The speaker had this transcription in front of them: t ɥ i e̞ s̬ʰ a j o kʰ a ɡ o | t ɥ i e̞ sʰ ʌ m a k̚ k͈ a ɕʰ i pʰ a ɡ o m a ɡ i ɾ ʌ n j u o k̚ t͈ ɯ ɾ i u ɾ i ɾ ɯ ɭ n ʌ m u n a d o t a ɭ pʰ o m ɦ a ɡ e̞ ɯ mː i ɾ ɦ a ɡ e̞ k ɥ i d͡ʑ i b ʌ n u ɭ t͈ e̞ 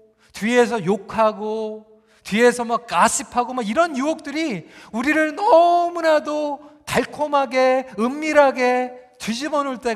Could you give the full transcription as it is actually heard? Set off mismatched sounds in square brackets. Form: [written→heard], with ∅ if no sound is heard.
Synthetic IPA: t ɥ i e̞ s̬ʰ [a→ʌ] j o kʰ a ɡ o | t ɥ i e̞ sʰ ʌ m a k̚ k͈ a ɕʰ i pʰ a ɡ o m a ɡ i ɾ ʌ n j u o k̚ t͈ ɯ ɾ i u ɾ i ɾ ɯ ɭ n ʌ m u n a d o t a ɭ [pʰ→kʰ] o m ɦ a ɡ e̞ ɯ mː i ɾ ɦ a ɡ e̞ [k→t] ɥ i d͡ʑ i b ʌ n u ɭ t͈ e̞